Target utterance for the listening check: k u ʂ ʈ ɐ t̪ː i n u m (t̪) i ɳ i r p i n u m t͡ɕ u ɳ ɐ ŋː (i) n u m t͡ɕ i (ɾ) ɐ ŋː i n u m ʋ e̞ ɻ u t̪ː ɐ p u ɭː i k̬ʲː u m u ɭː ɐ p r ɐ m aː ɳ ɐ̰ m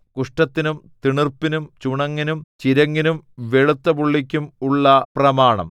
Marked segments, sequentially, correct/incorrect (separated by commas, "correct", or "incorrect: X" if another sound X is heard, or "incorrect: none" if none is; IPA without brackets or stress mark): correct, correct, correct